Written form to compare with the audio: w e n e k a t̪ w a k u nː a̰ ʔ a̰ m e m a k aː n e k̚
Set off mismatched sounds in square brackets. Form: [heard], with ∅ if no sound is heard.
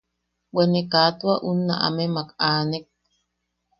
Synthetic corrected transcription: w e n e k a t̪ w a [ʔ] u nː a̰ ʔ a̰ m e m a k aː n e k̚